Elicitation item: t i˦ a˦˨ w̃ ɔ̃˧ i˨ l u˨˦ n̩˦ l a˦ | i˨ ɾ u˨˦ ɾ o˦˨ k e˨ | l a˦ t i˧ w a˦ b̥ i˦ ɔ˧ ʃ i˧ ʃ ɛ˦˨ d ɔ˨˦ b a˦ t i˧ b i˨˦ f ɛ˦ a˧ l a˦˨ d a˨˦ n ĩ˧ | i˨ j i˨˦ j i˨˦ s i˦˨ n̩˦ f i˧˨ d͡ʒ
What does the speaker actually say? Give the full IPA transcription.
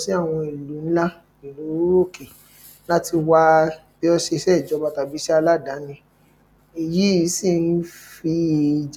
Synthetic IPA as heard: s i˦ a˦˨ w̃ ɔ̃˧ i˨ l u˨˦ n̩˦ l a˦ | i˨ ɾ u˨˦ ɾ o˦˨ k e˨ | l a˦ t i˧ w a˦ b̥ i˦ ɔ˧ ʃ e˧ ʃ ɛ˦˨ d͡ʒ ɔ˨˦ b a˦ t a˧ b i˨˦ ʃ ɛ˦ a˧ l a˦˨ d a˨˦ n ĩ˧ | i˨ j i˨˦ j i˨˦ s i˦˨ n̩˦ f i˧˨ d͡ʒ